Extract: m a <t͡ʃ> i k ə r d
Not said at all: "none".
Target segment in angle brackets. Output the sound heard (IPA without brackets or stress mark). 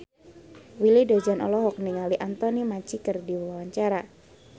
t͡ʃ